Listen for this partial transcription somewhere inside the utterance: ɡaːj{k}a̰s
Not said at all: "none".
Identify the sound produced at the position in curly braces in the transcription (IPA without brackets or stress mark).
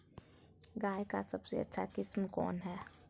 k